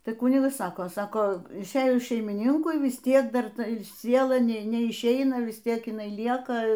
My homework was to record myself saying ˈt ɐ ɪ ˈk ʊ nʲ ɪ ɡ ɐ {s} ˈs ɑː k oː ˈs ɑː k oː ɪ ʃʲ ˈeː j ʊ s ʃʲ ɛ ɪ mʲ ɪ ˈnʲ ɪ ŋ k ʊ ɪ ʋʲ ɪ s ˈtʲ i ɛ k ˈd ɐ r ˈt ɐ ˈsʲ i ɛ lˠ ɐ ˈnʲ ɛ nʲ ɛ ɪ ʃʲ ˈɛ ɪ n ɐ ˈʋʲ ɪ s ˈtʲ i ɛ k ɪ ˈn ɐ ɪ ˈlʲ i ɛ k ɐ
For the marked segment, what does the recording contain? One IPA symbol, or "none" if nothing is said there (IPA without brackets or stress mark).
s